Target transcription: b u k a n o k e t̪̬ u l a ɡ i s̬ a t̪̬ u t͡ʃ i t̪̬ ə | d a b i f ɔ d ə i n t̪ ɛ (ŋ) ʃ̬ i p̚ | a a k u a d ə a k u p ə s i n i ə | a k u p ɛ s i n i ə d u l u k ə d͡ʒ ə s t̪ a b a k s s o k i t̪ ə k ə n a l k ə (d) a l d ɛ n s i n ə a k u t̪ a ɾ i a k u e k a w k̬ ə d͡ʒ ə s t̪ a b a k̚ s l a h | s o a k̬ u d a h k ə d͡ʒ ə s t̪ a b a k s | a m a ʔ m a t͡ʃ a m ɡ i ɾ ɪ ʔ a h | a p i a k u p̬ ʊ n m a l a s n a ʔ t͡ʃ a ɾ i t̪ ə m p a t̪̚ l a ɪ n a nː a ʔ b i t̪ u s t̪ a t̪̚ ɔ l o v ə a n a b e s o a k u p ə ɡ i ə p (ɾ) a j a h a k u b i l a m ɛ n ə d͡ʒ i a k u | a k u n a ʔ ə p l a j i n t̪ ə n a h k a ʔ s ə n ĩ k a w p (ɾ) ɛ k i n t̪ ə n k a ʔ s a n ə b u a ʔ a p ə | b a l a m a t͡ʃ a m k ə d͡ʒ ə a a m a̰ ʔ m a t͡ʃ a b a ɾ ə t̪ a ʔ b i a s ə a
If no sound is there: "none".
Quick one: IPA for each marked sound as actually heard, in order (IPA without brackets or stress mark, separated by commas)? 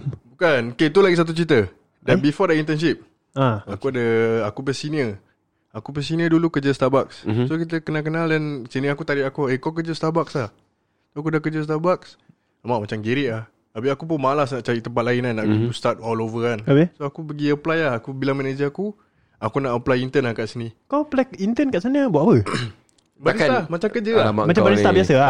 n, n, l, l